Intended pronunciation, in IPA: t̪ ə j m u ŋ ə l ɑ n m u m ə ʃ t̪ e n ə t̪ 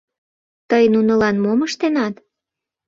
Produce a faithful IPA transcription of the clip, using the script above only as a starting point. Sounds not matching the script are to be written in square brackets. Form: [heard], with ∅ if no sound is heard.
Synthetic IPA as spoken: t̪ ə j [n] u [n] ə l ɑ n m [o] m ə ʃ t̪ e n [ɑ] t̪